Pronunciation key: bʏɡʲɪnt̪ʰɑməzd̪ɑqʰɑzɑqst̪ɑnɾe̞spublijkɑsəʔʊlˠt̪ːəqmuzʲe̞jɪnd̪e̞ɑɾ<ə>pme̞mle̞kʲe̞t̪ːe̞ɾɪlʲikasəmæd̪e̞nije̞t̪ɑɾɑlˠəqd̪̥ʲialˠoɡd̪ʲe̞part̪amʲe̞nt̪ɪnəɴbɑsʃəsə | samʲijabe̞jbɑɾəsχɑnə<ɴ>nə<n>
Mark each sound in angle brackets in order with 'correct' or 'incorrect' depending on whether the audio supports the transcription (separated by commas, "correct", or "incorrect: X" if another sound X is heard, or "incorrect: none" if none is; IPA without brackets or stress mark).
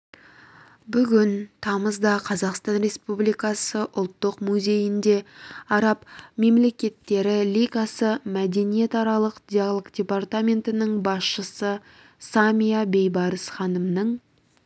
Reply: incorrect: ɑ, incorrect: m, incorrect: ɴ